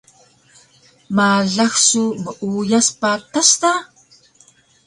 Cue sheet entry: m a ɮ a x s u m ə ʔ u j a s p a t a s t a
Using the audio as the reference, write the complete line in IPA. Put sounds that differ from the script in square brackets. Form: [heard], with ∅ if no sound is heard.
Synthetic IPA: m a ɮ a x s u m ə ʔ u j a s p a t a s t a